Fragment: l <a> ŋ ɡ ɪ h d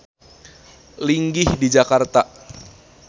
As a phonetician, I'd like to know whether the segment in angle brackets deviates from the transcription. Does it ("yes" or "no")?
yes